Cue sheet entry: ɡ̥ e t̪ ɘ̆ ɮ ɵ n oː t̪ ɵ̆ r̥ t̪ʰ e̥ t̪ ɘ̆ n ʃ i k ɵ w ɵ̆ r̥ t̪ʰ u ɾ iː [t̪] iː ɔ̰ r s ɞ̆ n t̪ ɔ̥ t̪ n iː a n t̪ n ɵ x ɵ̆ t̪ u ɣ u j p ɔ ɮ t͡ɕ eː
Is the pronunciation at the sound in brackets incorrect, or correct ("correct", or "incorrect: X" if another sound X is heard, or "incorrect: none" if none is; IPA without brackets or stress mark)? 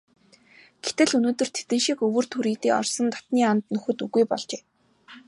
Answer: correct